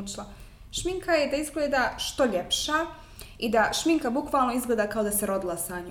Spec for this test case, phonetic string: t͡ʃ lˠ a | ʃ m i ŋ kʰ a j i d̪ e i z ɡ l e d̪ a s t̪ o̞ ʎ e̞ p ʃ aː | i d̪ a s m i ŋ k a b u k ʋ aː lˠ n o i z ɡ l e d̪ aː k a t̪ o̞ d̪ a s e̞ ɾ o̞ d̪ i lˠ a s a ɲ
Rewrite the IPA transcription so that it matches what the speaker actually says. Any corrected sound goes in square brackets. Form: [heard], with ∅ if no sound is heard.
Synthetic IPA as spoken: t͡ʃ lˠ a | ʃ m i ŋ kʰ a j [e] d̪ [a] i z ɡ l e d̪ a [ʃ] t̪ o̞ ʎ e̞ p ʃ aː | i d̪ a [ʃ] m i ŋ k a b u k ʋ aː lˠ n o i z ɡ l e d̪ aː k a [∅] o̞ d̪ a s e̞ ɾ o̞ d̪ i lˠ a s a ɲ